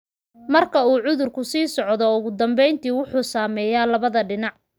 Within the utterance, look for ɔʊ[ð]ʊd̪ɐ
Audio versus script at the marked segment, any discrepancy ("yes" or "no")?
yes